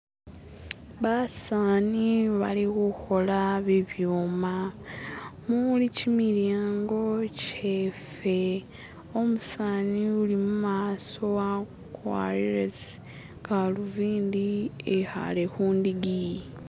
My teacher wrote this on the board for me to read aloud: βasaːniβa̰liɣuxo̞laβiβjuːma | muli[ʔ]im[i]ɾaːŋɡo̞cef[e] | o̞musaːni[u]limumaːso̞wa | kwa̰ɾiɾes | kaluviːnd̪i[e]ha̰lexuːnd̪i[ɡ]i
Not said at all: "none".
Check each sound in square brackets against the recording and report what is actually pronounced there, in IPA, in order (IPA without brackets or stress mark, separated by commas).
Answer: c, i, e, u, e, ɡ